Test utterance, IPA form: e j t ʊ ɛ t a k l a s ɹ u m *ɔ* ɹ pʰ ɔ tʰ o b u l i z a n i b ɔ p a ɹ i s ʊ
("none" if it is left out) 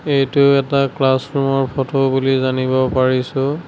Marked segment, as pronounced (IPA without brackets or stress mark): ɔ